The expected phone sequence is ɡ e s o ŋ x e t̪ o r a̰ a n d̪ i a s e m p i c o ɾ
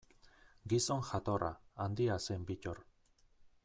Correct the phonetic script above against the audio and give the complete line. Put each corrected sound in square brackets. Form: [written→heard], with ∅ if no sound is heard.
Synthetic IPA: ɡ [e→i] s o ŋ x [e→a] t̪ o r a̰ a n d̪ i a s e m [p→b] i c o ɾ